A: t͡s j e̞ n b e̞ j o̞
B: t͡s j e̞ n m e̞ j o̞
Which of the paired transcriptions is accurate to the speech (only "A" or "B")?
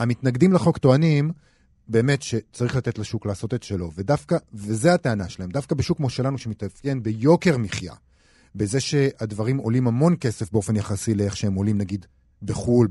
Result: A